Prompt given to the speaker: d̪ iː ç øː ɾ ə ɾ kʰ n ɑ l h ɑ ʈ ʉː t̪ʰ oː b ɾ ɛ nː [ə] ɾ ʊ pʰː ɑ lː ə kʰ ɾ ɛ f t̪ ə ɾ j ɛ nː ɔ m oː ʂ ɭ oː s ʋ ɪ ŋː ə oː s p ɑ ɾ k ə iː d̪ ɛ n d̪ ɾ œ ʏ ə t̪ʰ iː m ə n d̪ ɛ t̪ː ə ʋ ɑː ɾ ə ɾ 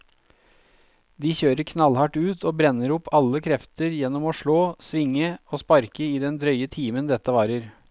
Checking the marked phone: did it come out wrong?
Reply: no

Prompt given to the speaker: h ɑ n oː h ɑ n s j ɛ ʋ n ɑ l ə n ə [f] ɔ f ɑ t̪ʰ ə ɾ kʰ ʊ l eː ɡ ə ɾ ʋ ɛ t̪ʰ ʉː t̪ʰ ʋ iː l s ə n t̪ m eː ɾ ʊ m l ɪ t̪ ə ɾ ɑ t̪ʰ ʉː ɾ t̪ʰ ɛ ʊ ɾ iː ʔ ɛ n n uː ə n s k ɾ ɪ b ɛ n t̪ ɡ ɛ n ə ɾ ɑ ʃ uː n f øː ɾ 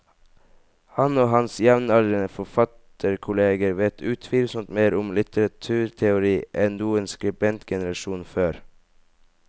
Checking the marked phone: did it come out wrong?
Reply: no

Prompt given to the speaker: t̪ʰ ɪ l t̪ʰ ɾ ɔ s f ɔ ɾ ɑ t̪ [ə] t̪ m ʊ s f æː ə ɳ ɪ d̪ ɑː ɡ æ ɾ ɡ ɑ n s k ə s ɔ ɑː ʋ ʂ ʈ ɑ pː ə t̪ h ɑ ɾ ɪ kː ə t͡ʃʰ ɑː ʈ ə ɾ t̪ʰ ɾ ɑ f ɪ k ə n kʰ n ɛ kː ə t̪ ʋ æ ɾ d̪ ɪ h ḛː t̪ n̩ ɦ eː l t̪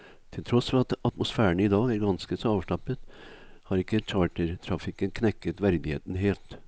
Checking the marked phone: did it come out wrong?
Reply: yes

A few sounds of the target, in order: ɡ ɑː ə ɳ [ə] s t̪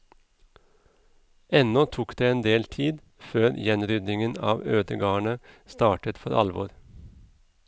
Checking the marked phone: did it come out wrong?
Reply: no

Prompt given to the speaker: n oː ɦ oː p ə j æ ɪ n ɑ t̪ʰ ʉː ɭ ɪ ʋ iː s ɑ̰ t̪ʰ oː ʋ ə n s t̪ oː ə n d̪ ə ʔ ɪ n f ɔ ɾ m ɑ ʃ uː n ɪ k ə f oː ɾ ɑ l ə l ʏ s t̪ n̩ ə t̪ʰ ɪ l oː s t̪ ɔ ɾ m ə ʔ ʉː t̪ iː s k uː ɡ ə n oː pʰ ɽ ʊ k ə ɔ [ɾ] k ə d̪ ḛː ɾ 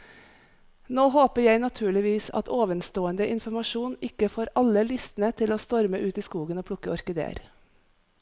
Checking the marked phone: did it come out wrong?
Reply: no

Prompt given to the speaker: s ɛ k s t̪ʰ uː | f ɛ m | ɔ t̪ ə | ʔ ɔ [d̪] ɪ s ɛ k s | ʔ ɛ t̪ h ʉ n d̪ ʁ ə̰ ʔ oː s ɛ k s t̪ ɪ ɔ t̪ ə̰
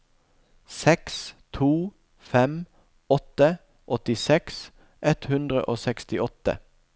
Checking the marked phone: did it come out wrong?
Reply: yes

